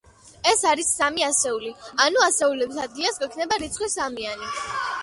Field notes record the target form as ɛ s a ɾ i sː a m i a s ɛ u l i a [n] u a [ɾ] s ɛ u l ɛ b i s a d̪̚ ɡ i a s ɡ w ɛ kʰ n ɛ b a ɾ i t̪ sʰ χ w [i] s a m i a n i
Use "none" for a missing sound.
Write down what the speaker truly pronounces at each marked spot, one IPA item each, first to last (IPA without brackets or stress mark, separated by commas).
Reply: n, none, i